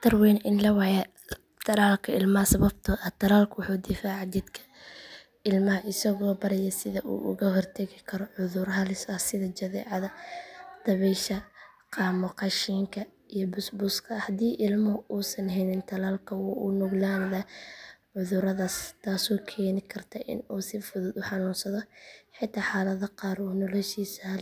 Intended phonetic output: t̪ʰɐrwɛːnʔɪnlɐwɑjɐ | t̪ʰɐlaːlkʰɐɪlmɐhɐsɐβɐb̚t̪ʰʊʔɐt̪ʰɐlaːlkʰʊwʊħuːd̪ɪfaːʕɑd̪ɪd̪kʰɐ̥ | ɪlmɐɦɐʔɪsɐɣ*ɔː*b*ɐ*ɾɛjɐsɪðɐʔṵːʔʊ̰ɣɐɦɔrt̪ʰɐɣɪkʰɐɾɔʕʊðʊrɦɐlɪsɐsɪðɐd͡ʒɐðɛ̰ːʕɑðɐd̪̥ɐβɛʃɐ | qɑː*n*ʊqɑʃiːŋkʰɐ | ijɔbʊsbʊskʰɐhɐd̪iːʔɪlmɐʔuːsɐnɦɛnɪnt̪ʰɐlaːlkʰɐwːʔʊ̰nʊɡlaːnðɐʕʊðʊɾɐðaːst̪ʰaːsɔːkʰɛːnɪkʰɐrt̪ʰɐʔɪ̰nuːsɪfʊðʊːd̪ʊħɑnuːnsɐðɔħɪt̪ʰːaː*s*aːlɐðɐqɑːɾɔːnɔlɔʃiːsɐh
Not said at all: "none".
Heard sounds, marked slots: ɔː, ɐ, m, ħ

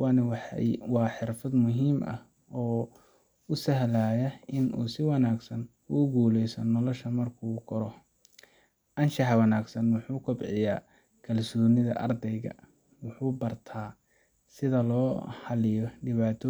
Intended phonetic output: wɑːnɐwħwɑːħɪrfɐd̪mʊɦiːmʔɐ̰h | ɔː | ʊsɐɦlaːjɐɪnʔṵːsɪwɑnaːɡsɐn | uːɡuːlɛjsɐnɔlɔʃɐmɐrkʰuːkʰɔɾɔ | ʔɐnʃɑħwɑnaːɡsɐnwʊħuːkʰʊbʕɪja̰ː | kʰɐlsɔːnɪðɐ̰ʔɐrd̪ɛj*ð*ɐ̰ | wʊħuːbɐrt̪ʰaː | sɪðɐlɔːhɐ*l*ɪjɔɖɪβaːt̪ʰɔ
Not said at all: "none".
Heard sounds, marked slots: ɣ, l

